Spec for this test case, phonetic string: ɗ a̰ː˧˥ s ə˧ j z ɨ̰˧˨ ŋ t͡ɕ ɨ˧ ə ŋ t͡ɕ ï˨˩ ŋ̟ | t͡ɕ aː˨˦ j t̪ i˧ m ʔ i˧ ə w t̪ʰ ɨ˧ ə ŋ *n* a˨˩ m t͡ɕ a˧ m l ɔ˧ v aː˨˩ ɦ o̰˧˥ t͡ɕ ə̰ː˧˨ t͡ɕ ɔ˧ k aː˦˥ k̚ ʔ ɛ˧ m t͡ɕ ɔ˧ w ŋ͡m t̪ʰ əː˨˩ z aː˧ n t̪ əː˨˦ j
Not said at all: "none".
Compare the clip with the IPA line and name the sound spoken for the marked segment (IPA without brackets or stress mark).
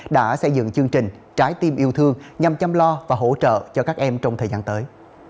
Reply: ɲ